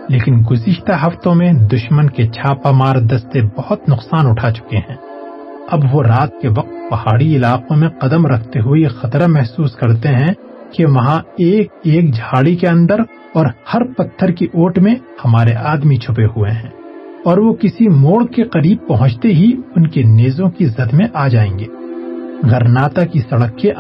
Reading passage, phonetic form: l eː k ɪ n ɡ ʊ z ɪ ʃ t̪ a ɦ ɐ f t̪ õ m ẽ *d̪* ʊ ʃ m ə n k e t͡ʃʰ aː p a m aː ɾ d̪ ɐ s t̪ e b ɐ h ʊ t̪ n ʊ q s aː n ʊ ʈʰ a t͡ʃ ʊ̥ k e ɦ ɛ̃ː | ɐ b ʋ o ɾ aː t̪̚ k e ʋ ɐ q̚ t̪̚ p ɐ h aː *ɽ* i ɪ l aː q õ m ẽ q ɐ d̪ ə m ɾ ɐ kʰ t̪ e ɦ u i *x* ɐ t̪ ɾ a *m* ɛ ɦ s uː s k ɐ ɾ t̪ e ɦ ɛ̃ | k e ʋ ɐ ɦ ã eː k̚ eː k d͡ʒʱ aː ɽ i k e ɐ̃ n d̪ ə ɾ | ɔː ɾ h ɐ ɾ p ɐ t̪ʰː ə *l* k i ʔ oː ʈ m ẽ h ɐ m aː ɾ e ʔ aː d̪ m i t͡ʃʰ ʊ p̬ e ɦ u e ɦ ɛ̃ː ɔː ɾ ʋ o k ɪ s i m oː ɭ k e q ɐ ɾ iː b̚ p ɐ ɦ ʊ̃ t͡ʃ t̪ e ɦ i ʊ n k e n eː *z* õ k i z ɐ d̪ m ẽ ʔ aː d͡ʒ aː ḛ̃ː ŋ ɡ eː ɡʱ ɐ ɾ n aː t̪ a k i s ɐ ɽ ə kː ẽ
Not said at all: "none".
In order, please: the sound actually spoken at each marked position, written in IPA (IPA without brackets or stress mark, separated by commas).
d̪, ɽ, x, m, ɾ, z